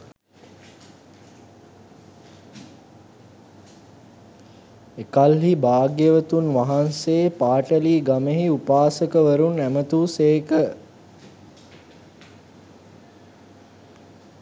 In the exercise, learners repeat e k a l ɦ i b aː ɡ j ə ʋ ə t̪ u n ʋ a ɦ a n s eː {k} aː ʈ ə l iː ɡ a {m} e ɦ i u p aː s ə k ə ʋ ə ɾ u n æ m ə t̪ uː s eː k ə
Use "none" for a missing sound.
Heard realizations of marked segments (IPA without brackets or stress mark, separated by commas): p, m